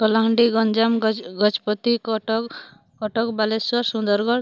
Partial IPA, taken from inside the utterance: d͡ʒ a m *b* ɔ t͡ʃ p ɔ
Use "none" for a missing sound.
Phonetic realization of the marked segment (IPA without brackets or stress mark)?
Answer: ɡ